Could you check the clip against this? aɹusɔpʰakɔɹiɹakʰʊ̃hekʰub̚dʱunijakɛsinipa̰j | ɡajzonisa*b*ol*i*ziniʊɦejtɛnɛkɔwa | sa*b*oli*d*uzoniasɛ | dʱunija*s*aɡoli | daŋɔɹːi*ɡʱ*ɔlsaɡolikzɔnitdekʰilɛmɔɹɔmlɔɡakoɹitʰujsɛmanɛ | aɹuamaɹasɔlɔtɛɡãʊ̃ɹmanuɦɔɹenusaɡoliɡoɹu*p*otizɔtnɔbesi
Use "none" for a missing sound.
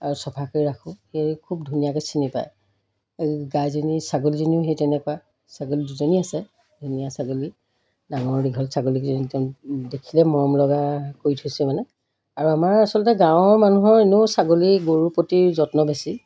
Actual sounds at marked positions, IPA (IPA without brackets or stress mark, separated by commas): ɡ, i, ɡ, d, s, ɡʱ, p